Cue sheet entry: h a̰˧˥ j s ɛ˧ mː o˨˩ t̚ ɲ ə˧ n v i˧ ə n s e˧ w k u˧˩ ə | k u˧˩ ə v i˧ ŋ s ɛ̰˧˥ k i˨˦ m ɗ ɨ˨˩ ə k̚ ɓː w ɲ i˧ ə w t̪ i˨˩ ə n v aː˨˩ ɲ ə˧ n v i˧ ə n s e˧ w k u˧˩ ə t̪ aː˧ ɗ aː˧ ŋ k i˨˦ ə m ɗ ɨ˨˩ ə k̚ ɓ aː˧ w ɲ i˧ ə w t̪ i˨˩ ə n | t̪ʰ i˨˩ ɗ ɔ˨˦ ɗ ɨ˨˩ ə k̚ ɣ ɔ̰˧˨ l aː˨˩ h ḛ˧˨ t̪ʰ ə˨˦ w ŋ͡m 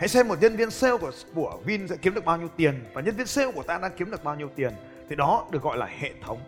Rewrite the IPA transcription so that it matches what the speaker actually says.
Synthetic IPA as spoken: h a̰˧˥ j s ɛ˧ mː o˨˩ t̚ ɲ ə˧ n v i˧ ə n s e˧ w k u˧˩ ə | k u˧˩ ə v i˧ n s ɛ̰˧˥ k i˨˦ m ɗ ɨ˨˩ ə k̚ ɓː w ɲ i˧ ə w t̪ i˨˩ ə n v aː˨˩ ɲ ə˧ n v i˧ ə n s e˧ w k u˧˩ ə t̪ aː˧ ɗ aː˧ ŋ k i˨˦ ə m ɗ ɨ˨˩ ə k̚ ɓ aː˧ w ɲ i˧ ə w t̪ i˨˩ ə n | t̪ʰ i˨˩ ɗ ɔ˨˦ ɗ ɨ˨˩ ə k̚ ɣ ɔ̰˧˨ l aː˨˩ h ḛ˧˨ t̪ʰ ə˨˦ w ŋ͡m